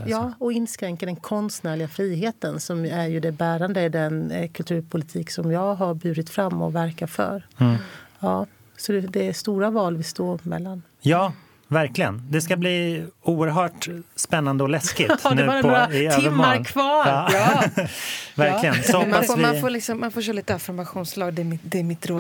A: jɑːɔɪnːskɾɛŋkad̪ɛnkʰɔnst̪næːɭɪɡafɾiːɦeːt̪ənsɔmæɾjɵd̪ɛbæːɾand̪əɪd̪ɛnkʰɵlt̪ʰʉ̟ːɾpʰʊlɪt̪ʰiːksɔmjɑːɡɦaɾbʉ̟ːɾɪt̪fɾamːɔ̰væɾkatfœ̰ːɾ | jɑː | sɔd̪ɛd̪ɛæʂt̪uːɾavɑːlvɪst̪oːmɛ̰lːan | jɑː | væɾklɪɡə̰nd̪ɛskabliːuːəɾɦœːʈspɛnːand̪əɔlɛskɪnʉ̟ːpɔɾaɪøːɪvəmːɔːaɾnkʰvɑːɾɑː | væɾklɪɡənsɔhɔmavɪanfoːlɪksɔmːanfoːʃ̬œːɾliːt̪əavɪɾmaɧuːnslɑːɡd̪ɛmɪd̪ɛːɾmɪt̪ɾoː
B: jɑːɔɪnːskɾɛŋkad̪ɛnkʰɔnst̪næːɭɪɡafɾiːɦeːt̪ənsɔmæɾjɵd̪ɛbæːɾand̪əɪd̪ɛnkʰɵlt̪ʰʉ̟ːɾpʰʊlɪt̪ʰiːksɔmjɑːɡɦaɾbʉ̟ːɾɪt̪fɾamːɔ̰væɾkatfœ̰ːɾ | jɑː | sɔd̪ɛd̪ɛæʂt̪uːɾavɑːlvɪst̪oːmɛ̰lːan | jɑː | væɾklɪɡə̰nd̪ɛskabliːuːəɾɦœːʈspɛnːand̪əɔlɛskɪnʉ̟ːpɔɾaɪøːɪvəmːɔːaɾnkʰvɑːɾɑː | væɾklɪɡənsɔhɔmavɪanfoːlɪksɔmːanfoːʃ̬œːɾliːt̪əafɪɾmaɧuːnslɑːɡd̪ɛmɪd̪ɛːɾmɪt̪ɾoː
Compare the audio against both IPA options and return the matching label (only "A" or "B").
B